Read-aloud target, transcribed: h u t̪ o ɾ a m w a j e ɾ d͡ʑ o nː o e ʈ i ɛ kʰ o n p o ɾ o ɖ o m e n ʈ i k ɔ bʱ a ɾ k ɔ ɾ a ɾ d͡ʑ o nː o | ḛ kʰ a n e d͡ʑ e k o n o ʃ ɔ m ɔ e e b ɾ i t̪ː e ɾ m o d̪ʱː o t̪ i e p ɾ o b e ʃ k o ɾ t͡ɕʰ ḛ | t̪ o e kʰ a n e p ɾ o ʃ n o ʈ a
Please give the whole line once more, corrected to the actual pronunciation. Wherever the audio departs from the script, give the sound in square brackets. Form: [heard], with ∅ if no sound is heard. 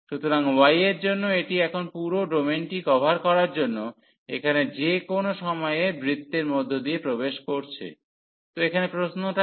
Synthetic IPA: [ʃ] u t̪ o ɾ a [ŋ] w a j e ɾ d͡ʑ o nː o e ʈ i ɛ kʰ o n p [u] ɾ o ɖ o m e n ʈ i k ɔ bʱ a ɾ k ɔ ɾ a ɾ d͡ʑ o nː o | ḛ kʰ a n e d͡ʑ e k o n o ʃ ɔ m ɔ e e b ɾ i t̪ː e ɾ m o d̪ʱː o [d̪] i e p ɾ o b e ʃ k o ɾ t͡ɕʰ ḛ | t̪ o e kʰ a n e p ɾ o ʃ n o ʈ a